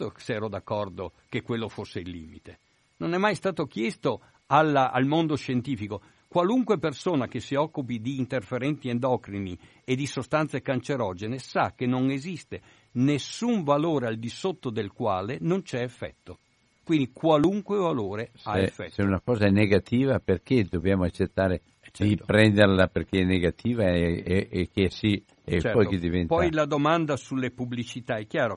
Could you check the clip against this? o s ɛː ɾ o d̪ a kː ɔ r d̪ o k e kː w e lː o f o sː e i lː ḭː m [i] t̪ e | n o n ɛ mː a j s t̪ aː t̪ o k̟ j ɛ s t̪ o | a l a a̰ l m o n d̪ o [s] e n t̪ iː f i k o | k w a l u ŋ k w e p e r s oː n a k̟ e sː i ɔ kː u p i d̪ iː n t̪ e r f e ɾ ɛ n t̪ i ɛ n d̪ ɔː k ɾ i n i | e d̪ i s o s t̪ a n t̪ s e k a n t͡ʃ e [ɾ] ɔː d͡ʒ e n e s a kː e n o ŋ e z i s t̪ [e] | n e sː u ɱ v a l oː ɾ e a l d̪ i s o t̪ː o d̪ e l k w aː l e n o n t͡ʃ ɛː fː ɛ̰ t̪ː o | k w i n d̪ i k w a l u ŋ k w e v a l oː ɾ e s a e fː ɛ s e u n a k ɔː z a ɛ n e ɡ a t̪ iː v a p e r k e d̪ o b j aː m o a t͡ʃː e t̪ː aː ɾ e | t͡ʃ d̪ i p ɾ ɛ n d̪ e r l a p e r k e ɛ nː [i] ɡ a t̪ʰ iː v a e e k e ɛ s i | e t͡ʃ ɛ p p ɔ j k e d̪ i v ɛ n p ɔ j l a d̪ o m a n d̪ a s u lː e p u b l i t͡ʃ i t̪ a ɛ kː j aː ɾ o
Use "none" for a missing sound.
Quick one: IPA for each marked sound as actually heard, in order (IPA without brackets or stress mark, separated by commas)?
i, ʃ, ɾ, e, e